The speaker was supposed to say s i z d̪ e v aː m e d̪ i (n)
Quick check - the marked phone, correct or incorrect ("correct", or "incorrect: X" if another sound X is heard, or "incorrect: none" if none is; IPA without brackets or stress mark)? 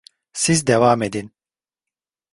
correct